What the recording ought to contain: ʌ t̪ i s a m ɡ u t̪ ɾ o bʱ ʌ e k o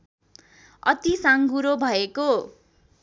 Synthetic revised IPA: ʌ t̪ i s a ŋ ɡ u ɾ o bʱ ʌ e k o